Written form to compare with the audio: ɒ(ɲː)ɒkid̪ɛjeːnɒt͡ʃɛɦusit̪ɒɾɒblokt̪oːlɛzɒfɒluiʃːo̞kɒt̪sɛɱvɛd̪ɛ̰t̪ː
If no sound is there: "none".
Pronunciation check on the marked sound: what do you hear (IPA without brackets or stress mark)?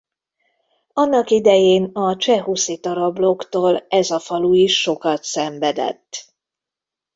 nː